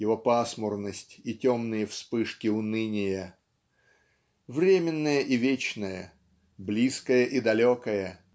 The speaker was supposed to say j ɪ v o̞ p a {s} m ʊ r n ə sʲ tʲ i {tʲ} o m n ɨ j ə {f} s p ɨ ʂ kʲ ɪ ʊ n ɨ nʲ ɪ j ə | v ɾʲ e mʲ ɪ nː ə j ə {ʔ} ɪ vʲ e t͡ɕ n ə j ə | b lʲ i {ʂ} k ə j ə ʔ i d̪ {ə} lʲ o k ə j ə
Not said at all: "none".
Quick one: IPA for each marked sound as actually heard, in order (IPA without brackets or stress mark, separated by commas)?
s, tʲ, f, ʔ, s, ɐ